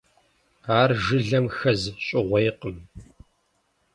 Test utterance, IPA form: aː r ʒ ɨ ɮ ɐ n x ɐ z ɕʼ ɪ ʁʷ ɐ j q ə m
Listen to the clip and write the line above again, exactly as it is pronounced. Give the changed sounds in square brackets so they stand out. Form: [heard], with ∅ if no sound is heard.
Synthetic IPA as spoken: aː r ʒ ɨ ɮ ɐ [m] x ɐ z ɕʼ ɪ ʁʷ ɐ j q ə m